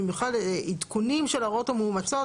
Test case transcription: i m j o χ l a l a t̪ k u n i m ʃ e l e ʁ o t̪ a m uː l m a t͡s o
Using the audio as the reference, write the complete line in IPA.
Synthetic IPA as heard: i m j u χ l a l i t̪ k u n i m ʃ e l a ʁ o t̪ a m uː m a t͡s o